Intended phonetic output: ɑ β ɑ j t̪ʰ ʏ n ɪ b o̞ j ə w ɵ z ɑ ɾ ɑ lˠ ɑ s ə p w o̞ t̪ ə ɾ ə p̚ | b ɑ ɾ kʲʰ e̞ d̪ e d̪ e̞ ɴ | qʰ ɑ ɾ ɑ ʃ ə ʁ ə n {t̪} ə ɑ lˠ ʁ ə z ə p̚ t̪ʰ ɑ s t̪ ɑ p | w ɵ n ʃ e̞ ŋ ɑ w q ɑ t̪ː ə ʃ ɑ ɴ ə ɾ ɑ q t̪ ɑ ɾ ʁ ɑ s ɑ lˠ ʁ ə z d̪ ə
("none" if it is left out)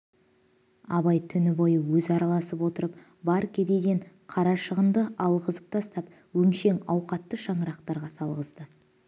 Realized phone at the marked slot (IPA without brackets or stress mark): d̪